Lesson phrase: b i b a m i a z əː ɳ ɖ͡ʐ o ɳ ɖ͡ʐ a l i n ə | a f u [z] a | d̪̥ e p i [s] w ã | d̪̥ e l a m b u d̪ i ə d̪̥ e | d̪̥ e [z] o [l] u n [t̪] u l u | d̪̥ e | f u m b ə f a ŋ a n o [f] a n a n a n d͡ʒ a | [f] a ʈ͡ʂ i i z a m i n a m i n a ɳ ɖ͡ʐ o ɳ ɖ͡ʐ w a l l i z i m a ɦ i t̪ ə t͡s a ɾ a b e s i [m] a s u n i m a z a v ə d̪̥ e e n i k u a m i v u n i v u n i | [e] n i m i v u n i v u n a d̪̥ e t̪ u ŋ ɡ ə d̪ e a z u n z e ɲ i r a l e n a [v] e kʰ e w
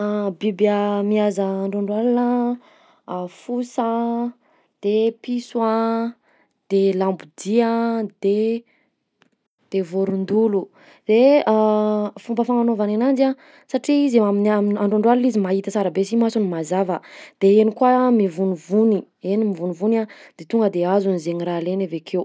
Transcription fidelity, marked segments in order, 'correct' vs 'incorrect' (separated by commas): incorrect, correct, incorrect, incorrect, incorrect, incorrect, incorrect, correct, correct, correct